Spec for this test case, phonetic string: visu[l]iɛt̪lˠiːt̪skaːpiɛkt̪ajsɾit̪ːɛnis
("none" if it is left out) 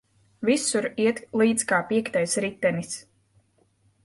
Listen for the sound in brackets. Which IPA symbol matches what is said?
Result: ɾ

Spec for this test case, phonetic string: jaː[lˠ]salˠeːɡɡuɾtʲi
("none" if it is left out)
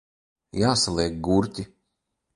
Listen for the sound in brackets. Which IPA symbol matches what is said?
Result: none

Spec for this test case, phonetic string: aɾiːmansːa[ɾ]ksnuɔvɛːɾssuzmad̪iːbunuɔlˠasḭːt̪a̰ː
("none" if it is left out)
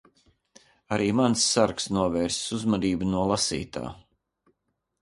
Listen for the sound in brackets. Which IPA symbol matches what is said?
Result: ɾ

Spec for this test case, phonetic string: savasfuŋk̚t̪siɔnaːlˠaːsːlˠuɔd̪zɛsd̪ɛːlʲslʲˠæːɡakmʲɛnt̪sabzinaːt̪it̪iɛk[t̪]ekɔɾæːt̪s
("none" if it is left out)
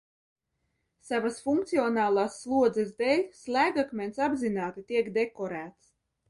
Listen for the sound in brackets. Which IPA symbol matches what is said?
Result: d̪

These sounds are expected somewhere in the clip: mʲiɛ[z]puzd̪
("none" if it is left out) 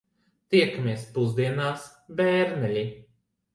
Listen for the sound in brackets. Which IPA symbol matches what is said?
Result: s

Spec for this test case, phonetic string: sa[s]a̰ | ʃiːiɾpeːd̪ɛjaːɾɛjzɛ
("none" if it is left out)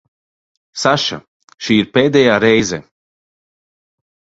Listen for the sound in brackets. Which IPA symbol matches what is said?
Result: ʃ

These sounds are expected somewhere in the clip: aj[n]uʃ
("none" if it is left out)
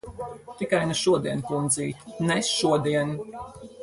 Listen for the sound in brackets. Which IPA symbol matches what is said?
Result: n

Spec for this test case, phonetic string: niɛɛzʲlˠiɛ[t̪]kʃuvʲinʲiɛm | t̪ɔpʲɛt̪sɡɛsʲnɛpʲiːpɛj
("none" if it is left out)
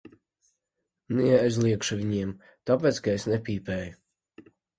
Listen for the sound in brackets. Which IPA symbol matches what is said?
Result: none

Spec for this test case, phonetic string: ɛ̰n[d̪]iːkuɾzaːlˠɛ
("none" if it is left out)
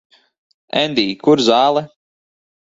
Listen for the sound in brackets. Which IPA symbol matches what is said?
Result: d̪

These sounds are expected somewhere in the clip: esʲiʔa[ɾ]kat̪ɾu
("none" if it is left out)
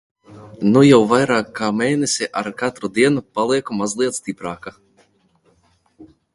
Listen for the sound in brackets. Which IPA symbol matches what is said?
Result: ɾ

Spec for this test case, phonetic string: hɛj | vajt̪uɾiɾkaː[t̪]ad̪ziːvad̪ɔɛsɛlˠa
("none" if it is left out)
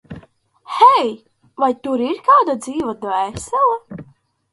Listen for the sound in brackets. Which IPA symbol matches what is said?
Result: d̪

